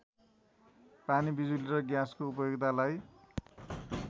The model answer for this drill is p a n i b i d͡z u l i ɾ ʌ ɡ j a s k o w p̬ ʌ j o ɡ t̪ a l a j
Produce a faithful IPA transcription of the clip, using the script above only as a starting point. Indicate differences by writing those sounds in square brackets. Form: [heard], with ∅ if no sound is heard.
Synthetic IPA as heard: p a n i b i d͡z u l i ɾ ʌ ɡ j a s k o [u] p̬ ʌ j o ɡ t̪ a l a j